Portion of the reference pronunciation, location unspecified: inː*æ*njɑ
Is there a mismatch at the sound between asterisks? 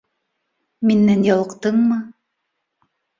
no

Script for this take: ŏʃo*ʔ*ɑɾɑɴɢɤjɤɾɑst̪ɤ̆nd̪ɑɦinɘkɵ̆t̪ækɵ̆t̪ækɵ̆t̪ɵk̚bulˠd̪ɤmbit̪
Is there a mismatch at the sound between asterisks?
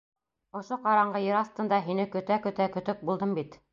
yes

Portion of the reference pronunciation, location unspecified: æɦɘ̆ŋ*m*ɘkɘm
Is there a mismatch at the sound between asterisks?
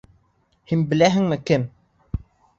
no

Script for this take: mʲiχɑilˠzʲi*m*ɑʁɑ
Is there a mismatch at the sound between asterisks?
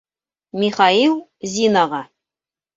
yes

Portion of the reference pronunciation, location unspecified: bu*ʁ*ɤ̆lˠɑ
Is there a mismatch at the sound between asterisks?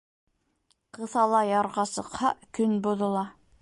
yes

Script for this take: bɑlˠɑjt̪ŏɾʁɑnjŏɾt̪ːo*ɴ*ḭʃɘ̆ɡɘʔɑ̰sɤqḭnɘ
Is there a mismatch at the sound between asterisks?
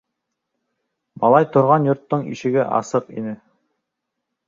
no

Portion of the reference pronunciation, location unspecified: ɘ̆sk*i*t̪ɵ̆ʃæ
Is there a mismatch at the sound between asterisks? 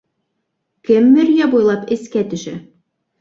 yes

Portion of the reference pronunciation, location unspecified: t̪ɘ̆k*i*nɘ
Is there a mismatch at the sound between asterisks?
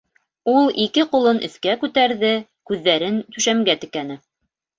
yes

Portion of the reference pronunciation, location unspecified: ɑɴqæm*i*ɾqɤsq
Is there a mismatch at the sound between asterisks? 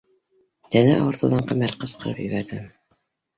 yes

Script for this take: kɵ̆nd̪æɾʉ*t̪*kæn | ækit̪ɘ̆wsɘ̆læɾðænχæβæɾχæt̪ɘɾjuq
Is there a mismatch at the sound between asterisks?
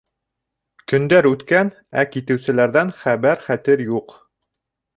no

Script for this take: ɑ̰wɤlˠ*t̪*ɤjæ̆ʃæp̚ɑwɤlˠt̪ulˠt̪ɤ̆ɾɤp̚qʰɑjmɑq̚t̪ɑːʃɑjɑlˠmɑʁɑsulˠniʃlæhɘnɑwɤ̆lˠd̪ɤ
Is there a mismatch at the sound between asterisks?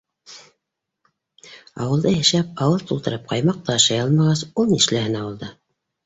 yes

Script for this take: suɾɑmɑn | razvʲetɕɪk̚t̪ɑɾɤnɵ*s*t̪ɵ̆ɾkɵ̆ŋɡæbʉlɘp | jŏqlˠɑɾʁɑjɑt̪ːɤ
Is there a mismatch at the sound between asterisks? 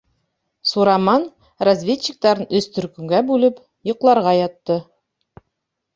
no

